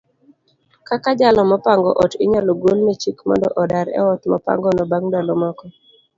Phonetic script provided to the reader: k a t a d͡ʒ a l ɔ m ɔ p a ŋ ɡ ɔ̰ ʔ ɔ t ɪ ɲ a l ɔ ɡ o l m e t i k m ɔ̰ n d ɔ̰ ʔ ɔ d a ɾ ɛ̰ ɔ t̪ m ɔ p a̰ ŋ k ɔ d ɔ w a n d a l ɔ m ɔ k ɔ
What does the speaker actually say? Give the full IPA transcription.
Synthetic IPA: k a k a d͡ʒ a l ɔ m ɔ p a ŋ ɡ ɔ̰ ʔ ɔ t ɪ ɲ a l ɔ ɡ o l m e t͡ʃ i k m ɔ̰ n d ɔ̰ ʔ ɔ d a ɾ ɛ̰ ɔ t̪ m ɔ p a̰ ŋ ɡ ɔ n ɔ b a ŋ d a l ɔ m ɔ k ɔ